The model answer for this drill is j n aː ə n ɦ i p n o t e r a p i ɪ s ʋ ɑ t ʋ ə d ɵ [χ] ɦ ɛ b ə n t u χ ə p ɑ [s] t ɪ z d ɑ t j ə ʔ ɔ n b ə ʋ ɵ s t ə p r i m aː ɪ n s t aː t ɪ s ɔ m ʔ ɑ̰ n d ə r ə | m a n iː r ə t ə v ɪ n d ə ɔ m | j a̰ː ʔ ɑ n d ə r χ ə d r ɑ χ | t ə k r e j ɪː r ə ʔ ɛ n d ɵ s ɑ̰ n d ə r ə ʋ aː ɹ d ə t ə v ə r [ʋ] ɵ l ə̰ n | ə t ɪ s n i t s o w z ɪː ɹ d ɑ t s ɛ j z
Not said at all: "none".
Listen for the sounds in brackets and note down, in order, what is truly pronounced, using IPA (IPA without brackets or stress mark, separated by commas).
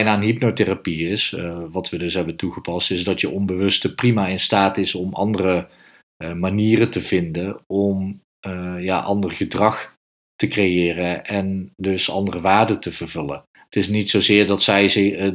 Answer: s, s, v